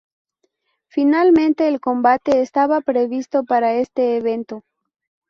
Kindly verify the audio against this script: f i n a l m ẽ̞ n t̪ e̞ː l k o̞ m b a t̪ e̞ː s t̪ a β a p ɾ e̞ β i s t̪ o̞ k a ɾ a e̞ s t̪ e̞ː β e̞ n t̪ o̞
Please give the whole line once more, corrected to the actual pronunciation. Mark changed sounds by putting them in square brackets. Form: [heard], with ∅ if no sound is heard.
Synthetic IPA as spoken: f i n a l m ẽ̞ n t̪ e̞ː l k o̞ m b a t̪ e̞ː s t̪ a β a p ɾ e̞ β i s t̪ o̞ [p] a ɾ a e̞ s t̪ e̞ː β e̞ n t̪ o̞

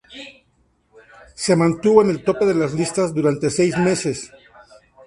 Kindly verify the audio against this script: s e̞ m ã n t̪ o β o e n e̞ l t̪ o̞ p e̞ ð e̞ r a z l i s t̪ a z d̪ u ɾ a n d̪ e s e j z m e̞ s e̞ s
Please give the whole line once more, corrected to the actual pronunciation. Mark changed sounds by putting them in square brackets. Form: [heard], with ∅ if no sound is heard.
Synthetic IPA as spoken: s e̞ m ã n t̪ [u] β o e n e̞ l t̪ o̞ p e̞ ð e̞ [l] a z l i s t̪ a z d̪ u ɾ a n [t̪] e s e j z m e̞ s e̞ s

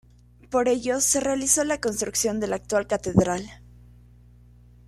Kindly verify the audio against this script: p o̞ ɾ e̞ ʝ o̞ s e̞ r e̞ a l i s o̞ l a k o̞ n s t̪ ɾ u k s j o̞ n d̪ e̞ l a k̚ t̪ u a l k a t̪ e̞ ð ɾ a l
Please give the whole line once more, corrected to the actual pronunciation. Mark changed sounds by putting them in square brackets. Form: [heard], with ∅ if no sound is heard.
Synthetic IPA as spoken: p o̞ ɾ e̞ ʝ o̞ s e̞ r e̞ a l i s o̞ l a k o̞ n s t̪ ɾ u k s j o̞ n d̪ e̞ l a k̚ t̪ [w] a l k a t̪ e̞ ð ɾ a l

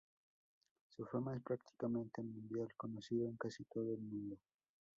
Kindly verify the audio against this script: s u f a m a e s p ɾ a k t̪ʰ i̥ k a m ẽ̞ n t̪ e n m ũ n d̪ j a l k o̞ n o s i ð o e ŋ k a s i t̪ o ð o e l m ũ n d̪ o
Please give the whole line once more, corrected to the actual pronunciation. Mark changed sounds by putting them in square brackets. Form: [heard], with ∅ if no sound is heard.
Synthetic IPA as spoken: s u f a m a e s p ɾ a k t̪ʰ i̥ k a m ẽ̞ n t̪ e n m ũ n d̪ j a l k o̞ n o s i ð o e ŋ k a s i t̪ o ð o e l m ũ n d̪ o

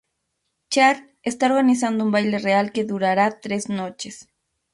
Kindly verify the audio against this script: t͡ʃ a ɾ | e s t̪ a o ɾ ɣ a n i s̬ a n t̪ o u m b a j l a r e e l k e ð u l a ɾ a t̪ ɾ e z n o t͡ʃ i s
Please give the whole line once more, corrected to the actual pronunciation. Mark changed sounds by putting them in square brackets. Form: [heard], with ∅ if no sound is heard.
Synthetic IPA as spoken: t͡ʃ a ɾ | e s t̪ a o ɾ ɣ a n i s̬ a n [d̪] o u m b a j l [e] r e [a] l k e ð u [ɾ] a ɾ a t̪ ɾ e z n o t͡ʃ [e] s

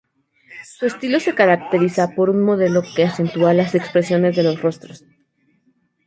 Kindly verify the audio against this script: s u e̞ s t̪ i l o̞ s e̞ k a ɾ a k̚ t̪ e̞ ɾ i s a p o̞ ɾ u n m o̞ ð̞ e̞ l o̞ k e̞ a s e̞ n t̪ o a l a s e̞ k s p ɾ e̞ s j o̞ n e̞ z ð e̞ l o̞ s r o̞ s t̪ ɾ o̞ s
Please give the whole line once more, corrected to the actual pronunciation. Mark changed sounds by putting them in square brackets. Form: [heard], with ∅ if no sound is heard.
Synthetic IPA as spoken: s u e̞ s t̪ i l o̞ s e̞ k a ɾ a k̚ t̪ e̞ ɾ i s a p o̞ ɾ u n m o̞ ð̞ e̞ l o̞ k e̞ a s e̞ n t̪ [u] a l a s e̞ k s p ɾ e̞ s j o̞ n e̞ z ð e̞ l o̞ s r o̞ s t̪ ɾ o̞ s

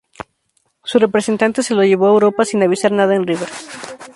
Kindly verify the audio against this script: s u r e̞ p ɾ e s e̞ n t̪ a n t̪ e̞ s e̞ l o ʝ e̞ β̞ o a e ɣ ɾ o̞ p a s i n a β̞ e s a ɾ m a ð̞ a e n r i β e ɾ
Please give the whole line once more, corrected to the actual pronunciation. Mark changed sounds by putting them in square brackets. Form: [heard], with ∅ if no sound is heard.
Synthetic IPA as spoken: s u r e̞ p ɾ e s e̞ n t̪ a n t̪ e̞ s e̞ l o ʝ e̞ β̞ o a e [w] ɾ o̞ p a s i n a β̞ [i] s a ɾ [n] a ð̞ a e n r i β e ɾ

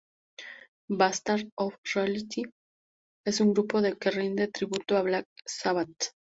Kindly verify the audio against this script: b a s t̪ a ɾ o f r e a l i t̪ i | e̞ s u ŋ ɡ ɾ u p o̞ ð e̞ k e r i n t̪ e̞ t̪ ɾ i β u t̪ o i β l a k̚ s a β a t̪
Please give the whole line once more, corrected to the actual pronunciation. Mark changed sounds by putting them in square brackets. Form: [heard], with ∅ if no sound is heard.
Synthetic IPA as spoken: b a s t̪ a ɾ o f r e a l i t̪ i | e̞ s u ŋ ɡ ɾ u p o̞ ð e̞ k e r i n [d̪] e̞ t̪ ɾ i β u t̪ o [a] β l a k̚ s a β a t̪

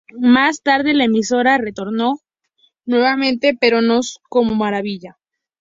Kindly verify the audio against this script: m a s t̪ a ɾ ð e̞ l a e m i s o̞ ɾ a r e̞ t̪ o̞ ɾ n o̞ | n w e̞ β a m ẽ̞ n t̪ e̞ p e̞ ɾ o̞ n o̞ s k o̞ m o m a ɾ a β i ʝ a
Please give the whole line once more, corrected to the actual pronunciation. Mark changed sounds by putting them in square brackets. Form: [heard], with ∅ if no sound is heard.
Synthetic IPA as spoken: m a s t̪ a ɾ ð e̞ l a e m i s o̞ ɾ a r e̞ t̪ o̞ ɾ n o̞ | n w e̞ β a m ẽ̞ n t̪ e̞ p e̞ ɾ o̞ n o̞ s k o̞ m o m a ɾ a β i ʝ a

